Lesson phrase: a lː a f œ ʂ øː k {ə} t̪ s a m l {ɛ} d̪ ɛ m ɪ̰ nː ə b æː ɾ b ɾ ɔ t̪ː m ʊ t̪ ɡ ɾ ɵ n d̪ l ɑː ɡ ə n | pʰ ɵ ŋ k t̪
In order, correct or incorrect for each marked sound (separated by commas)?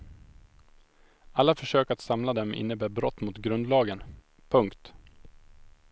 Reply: incorrect, incorrect